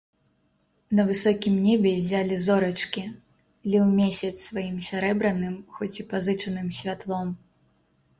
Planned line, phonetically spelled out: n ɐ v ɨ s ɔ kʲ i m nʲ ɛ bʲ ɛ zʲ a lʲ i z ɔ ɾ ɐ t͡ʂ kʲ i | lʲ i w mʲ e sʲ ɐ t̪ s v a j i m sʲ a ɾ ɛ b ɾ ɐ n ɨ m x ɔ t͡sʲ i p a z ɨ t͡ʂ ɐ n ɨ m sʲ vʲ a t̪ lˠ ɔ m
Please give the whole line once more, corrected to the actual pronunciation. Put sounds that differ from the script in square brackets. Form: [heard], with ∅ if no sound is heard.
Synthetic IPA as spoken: n ɐ v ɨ s ɔ kʲ i m nʲ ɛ bʲ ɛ zʲ a lʲ i z ɔ ɾ ɐ t͡ʂ kʲ i | lʲ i w mʲ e sʲ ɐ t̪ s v a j i m sʲ a ɾ ɛ b ɾ ɐ n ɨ m x ɔ t͡sʲ i p a z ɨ t͡ʂ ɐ n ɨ m sʲ vʲ a t̪ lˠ ɔ m